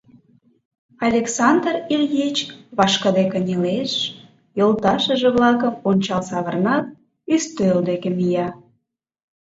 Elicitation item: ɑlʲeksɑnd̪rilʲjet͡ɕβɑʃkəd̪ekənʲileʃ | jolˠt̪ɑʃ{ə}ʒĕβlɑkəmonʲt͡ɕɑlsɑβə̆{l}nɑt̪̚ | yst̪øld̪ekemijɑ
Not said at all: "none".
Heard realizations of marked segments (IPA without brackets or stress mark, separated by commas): ə, r